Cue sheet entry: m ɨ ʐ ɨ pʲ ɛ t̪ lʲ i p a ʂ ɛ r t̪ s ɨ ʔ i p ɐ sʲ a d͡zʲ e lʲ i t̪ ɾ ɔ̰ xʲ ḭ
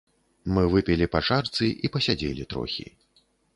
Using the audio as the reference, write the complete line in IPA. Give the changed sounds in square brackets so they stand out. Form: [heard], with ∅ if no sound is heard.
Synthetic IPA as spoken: m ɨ [v] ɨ pʲ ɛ [∅] lʲ i p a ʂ [a] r t̪ s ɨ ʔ i p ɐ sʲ a d͡zʲ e lʲ i t̪ ɾ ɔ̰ xʲ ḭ